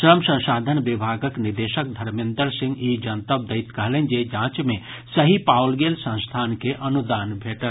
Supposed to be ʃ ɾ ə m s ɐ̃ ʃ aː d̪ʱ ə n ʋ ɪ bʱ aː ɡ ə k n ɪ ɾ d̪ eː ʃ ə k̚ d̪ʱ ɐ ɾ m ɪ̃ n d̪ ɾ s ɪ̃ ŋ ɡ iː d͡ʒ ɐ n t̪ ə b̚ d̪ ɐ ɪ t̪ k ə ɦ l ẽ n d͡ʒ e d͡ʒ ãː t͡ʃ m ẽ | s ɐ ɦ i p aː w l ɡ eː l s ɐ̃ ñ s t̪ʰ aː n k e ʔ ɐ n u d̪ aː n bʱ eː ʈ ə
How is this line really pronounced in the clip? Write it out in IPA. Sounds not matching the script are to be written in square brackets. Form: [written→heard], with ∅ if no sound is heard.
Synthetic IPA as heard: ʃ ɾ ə m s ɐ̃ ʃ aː d̪ʱ ə n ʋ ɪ bʱ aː ɡ ə k n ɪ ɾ d̪ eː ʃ ə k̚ d̪ʱ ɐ ɾ m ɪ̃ n d̪ ɾ s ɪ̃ ŋ ɡ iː d͡ʒ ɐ n t̪ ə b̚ d̪ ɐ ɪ t̪ k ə ɦ l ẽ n d͡ʒ e d͡ʒ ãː t͡ʃ m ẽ | s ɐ ɦ i p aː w l ɡ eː l s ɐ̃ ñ s t̪ʰ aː n k e ʔ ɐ n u d̪ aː n bʱ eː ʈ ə

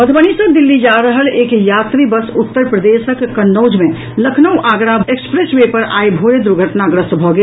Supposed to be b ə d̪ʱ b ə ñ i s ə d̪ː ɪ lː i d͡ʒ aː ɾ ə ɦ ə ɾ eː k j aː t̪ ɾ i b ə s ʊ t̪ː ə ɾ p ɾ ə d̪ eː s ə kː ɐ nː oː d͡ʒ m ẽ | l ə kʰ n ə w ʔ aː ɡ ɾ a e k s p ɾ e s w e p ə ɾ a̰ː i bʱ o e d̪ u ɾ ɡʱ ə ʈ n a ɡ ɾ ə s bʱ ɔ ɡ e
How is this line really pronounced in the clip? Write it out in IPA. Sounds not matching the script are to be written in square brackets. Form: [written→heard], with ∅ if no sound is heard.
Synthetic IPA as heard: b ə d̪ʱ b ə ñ i s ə [d̪ː→d̪] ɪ lː i d͡ʒ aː ɾ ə ɦ ə [ɾ→l] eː k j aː t̪ ɾ i b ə s ʊ t̪ː ə ɾ p ɾ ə d̪ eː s ə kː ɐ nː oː d͡ʒ m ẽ | l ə kʰ n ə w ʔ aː ɡ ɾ a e k s p ɾ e s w e p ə ɾ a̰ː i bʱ o e d̪ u ɾ ɡʱ ə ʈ n a ɡ ɾ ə s bʱ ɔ ɡ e

